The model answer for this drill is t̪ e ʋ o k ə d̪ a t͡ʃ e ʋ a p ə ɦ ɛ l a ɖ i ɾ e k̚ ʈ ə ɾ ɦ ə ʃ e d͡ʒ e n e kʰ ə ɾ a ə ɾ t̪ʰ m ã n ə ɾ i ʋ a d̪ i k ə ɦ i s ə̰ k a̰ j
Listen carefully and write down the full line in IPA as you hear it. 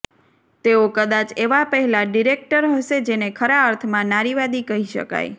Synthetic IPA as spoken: t̪ e o k ə d̪ a t͡ʃ e ʋ a p ə ɦ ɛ l a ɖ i ɾ e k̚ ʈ ə ɾ ɦ ə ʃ e d͡ʒ e n e kʰ ə ɾ a ə ɾ t̪ʰ m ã n a ɾ i ʋ a d̪ i k ə ɦ i ʃ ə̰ k a̰ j